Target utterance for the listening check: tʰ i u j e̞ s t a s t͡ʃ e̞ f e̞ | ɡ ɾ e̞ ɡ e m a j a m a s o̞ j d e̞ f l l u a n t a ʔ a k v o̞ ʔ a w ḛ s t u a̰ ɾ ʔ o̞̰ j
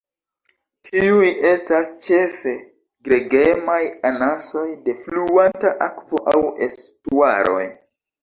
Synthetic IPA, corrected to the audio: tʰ i u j e̞ s t a s t͡ʃ e̞ f e̞ | ɡ ɾ e̞ ɡ e m a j a n a s o̞ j d e̞ f l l u a n t a ʔ a k v o̞ ʔ a w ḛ s t u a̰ ɾ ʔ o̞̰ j